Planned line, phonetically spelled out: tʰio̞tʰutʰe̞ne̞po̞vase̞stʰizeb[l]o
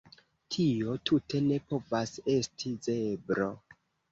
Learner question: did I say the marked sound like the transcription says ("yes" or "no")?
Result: no